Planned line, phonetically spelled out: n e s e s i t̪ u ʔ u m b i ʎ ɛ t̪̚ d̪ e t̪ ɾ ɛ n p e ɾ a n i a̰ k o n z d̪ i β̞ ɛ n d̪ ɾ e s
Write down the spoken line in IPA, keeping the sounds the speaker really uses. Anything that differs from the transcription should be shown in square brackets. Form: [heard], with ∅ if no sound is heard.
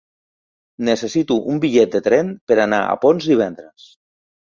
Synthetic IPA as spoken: n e s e s i t̪ u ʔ u m b i ʎ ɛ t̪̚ d̪ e t̪ ɾ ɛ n p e ɾ a n [a] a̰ [p] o n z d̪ i β̞ ɛ n d̪ ɾ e s